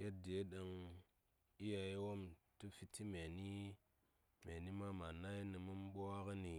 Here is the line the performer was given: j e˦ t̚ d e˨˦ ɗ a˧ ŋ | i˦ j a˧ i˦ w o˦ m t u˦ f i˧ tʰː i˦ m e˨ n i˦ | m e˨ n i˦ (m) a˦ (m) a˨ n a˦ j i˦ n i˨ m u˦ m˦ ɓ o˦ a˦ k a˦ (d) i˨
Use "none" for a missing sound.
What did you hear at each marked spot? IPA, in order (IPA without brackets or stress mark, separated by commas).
m, m, n